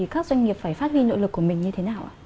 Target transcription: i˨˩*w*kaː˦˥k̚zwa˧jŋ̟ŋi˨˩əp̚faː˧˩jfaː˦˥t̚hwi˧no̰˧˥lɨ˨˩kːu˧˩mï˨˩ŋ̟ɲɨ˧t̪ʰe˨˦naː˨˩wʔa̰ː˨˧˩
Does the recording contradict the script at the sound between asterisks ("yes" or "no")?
yes